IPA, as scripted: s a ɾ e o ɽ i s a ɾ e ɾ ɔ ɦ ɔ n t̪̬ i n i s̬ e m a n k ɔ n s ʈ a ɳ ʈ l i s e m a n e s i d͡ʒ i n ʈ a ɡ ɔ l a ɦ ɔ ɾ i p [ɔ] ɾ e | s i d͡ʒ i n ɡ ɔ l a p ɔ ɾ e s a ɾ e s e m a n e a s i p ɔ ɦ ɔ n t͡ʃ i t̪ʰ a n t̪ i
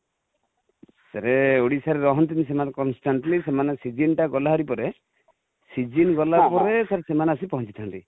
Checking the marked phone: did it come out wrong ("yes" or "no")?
no